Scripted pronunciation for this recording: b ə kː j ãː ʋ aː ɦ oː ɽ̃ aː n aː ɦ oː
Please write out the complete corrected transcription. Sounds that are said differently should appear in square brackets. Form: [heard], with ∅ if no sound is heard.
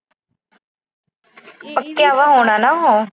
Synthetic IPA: [p] ə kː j [aː] ʋ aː ɦ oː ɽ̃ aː n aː ɦ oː